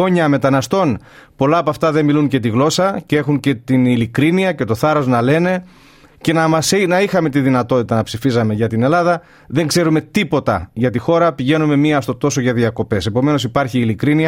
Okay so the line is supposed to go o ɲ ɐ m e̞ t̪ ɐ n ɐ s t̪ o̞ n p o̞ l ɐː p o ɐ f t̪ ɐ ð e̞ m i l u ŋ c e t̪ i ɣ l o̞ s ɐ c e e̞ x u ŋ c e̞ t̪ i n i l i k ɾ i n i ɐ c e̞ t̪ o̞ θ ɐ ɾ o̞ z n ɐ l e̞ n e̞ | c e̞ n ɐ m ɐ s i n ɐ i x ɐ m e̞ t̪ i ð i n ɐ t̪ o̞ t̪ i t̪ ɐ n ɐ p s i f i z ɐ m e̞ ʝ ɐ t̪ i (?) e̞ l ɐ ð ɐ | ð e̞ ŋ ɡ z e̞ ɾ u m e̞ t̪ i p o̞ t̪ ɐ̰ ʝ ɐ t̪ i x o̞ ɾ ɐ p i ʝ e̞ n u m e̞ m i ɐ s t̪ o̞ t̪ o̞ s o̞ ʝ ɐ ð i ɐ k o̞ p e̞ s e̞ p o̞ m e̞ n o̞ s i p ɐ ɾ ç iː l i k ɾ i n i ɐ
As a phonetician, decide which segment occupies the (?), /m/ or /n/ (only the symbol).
n